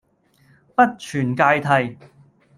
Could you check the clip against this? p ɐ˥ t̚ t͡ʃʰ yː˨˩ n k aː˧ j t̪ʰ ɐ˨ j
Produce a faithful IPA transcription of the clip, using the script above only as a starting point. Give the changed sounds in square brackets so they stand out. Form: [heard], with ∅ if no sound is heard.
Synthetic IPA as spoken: p ɐ˥ t̚ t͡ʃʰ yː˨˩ n k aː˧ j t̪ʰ ɐ˨ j